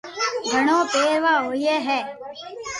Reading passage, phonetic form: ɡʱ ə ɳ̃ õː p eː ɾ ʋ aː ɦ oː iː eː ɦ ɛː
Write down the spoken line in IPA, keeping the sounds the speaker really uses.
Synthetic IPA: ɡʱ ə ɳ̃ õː p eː ɾ ʋ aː ɦ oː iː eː ɦ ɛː